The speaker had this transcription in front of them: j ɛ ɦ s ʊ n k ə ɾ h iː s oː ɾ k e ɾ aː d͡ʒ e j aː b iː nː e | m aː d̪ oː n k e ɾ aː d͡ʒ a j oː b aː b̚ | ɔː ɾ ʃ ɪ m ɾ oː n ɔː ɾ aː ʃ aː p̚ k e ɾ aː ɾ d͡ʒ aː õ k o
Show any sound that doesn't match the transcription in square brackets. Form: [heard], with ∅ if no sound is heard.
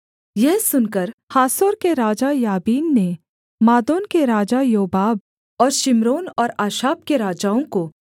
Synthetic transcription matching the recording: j ɛ ɦ s ʊ n k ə ɾ h [aː] s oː ɾ k e ɾ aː d͡ʒ [a] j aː b iː nː e | m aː d̪ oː n k e ɾ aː d͡ʒ a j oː b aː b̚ | ɔː ɾ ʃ ɪ m ɾ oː n ɔː ɾ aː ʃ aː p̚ k e ɾ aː [∅] d͡ʒ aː õ k o